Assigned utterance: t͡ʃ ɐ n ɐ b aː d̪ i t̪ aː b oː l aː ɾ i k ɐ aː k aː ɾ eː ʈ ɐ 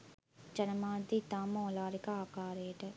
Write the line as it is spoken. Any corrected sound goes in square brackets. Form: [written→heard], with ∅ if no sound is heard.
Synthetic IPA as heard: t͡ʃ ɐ n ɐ [b→m] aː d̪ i t̪ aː [b→m] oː l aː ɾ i k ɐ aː k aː ɾ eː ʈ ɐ